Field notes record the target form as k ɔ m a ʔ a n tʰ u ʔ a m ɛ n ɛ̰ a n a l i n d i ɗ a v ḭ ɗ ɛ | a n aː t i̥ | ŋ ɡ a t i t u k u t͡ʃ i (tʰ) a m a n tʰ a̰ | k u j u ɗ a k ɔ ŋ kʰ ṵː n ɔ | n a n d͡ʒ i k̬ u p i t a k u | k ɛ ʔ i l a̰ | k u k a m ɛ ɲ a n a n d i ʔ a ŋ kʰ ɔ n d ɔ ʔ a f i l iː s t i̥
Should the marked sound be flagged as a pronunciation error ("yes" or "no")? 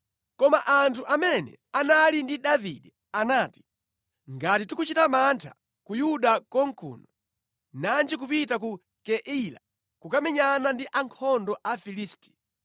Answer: yes